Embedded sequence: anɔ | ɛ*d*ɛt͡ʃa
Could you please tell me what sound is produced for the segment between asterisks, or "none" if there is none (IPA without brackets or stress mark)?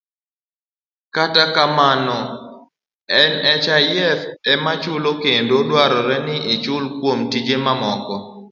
n